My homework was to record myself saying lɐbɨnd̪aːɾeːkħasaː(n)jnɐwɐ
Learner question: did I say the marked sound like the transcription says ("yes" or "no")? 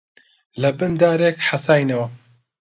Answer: no